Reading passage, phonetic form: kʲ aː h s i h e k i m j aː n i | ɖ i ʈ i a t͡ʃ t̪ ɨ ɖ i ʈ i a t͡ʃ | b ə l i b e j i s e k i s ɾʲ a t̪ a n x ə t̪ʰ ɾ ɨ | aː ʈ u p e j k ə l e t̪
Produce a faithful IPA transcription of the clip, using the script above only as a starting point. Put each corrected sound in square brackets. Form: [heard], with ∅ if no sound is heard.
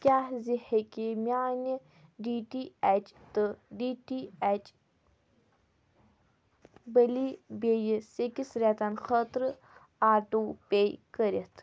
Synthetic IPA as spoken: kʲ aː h [z] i h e k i m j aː n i | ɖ i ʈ i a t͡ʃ t̪ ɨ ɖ i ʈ i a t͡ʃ | b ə l i b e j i s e k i s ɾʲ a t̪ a n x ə [t̪] ɾ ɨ | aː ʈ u p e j k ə [ɾ] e t̪